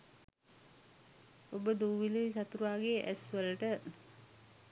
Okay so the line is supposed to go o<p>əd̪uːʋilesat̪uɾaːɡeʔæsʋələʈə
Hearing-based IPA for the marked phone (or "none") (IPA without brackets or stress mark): b